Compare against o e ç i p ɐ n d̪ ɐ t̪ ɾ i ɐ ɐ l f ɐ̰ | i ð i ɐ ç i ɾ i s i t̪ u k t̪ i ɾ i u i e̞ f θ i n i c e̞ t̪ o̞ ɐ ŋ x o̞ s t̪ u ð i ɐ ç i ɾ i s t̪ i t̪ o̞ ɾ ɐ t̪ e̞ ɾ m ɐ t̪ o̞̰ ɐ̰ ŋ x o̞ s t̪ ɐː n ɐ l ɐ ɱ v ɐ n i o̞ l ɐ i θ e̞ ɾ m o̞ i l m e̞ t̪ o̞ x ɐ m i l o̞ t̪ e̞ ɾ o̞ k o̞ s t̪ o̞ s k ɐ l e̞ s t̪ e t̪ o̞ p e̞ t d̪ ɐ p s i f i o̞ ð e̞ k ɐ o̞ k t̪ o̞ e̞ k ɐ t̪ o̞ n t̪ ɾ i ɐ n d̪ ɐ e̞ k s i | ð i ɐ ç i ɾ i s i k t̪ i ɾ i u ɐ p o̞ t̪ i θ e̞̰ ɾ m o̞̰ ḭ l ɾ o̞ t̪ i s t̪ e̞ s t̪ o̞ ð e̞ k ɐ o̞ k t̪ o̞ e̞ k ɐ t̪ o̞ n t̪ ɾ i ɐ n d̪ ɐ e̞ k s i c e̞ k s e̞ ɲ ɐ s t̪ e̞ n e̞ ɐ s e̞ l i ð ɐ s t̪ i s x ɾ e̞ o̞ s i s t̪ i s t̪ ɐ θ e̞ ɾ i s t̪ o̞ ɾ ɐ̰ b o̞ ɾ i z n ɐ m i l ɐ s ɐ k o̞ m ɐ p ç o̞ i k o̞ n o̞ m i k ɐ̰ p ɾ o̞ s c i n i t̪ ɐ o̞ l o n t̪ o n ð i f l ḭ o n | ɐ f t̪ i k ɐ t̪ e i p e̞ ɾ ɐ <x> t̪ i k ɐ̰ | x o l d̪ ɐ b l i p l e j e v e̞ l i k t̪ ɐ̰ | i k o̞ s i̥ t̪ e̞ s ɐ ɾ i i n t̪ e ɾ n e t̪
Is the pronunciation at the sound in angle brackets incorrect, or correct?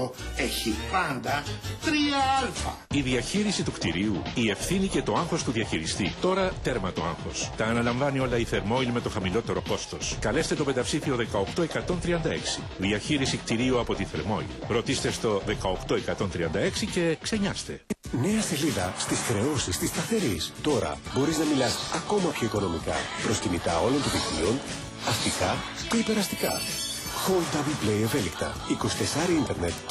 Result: incorrect